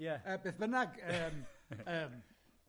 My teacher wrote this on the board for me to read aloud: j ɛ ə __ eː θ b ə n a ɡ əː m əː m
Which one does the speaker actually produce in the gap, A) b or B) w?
A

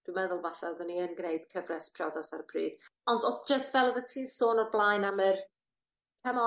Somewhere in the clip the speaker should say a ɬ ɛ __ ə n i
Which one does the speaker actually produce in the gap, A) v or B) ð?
B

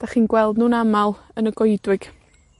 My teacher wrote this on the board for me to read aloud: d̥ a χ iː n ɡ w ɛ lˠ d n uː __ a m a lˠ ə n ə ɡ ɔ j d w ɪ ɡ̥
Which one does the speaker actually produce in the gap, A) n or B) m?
A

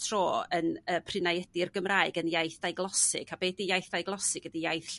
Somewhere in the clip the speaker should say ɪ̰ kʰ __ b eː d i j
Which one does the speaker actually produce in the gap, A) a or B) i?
A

